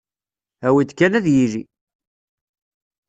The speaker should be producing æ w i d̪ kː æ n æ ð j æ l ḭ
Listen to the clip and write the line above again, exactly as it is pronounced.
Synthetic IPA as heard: æ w i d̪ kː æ n æ ð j i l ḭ